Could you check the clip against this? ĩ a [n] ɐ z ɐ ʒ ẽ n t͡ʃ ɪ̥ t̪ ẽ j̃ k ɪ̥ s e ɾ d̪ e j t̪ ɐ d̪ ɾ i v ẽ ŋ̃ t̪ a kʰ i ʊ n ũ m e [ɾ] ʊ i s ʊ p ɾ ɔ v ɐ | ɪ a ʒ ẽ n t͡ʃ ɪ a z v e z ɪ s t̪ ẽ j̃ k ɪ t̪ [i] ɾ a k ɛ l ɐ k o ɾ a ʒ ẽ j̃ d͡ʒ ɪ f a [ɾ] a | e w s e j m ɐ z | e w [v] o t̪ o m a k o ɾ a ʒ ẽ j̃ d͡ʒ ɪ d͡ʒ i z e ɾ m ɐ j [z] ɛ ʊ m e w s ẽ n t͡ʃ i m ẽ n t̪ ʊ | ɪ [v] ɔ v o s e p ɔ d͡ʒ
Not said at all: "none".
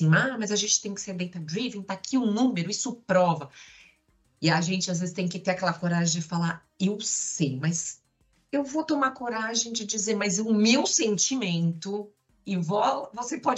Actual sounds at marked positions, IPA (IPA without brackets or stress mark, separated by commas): m, ɾ, e, l, v, z, v